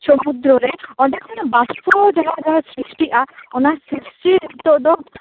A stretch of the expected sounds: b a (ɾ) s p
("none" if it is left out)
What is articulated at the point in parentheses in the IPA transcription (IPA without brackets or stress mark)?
none